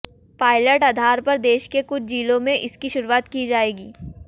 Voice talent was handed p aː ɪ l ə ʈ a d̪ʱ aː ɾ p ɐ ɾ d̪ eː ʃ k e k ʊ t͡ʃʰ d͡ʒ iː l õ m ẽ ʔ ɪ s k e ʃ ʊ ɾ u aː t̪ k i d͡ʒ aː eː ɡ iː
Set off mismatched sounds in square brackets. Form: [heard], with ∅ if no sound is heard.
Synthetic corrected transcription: p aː ɪ l ə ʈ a d̪ʱ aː ɾ p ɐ ɾ d̪ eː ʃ k e k ʊ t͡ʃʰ d͡ʒ iː l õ m ẽ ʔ ɪ s k [i] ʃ ʊ ɾ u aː t̪ k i d͡ʒ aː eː ɡ iː